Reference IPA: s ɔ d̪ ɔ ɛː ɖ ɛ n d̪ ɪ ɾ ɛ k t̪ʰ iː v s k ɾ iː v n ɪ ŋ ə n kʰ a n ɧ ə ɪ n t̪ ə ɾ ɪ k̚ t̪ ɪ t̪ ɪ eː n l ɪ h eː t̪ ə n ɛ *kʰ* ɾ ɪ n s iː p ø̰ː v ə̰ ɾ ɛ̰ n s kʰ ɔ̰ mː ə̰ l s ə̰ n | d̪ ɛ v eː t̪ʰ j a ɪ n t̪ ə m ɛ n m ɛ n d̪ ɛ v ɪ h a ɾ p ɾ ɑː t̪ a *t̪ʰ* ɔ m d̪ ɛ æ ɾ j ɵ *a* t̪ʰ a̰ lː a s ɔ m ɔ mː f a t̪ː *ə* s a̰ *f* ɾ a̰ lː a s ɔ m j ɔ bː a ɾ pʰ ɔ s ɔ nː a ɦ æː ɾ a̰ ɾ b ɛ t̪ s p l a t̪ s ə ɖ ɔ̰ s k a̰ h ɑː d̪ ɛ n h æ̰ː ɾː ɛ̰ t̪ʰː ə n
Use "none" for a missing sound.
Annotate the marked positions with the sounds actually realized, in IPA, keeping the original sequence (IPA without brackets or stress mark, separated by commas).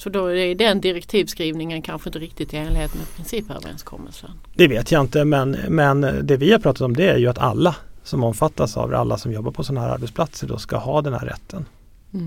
pʰ, t̪, a, a, v